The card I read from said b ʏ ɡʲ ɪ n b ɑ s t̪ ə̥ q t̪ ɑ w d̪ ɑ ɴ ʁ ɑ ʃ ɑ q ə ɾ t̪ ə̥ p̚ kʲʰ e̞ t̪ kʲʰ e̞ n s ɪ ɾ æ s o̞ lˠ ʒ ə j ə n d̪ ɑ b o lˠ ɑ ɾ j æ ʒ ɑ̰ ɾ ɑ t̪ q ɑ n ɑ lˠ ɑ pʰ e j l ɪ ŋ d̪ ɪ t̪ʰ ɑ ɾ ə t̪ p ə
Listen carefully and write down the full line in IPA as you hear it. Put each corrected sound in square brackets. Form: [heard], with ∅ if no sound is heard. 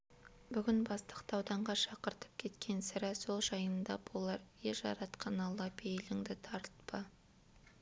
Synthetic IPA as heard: b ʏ ɡʲ ɪ n b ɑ s t̪ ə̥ q t̪ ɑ w d̪ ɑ ɴ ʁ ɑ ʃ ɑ q ə ɾ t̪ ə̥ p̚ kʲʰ e̞ t̪ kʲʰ e̞ n s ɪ ɾ æ s o̞ lˠ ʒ [ɑ] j ə n d̪ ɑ b o lˠ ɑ ɾ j [e] ʒ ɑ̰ ɾ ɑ t̪ q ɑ n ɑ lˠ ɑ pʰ e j l ɪ ŋ d̪ ɪ t̪ʰ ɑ ɾ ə t̪ p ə